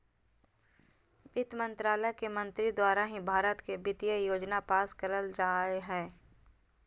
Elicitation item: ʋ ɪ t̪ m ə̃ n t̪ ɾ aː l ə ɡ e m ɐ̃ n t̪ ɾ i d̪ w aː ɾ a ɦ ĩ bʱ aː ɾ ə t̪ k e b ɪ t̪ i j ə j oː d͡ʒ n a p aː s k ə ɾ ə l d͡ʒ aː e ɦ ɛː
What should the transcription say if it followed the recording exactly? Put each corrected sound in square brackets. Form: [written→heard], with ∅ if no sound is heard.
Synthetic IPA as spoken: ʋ ɪ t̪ m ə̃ n t̪ ɾ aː l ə [ɡ→k] e m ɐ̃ n t̪ ɾ i d̪ w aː ɾ a ɦ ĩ bʱ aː ɾ ə t̪ k e b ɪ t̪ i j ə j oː d͡ʒ n a p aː s k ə ɾ ə l d͡ʒ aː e ɦ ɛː